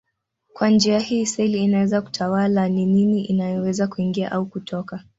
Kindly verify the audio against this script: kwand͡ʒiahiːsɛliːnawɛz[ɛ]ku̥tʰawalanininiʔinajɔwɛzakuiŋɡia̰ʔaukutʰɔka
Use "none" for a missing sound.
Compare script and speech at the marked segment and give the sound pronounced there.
a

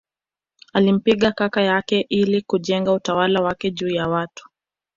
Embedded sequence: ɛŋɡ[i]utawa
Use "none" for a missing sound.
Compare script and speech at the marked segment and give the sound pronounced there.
a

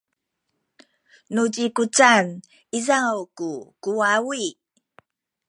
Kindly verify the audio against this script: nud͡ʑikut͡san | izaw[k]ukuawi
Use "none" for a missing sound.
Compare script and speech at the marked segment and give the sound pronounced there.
k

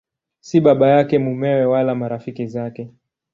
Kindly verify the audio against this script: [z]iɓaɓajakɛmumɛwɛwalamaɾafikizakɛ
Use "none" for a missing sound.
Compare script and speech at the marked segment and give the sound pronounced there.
s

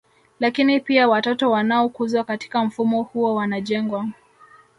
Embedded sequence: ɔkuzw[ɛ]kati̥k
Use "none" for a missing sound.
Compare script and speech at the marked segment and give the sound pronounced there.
a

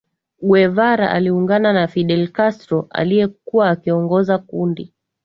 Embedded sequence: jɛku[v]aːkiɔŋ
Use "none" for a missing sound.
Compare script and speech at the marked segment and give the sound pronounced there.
w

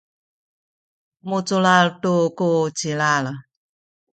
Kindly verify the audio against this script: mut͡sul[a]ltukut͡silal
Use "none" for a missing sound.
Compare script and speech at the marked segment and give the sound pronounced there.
a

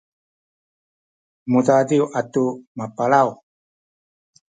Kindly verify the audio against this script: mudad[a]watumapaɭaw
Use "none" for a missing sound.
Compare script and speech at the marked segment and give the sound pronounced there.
i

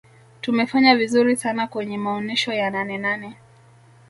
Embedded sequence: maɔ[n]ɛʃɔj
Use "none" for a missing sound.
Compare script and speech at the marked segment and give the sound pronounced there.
n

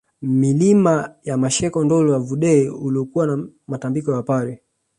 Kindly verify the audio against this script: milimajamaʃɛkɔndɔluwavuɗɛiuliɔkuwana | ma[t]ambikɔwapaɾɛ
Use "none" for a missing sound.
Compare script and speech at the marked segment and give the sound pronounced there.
t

